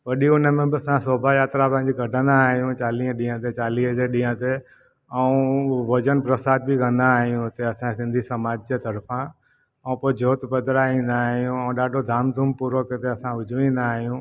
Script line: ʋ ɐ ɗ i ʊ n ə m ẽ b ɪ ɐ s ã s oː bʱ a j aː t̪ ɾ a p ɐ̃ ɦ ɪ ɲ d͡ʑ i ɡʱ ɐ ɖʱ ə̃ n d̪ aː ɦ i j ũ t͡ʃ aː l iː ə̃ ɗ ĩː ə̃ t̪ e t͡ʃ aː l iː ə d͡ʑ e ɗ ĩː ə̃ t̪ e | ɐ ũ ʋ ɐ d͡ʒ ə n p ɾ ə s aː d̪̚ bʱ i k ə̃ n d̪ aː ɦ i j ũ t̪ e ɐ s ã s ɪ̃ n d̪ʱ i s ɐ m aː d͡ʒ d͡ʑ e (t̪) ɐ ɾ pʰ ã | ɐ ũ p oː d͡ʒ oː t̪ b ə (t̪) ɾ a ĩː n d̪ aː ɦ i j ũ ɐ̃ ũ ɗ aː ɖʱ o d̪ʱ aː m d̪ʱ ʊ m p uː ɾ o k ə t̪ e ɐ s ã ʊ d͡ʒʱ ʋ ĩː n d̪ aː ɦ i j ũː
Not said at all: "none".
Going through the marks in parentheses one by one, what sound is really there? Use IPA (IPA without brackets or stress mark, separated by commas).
t̪, d̪